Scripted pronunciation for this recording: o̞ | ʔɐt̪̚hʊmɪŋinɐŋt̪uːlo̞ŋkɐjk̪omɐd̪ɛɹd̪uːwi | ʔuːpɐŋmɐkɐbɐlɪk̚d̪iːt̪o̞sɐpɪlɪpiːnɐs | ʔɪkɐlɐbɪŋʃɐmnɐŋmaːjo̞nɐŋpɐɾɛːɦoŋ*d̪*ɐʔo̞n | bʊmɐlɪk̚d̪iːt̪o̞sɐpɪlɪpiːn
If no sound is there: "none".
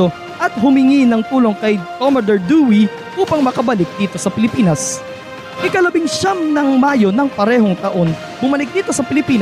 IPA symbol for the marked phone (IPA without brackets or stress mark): t̪